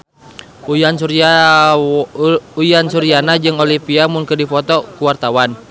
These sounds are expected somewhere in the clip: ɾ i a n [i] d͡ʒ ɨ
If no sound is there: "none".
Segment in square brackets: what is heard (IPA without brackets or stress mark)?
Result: a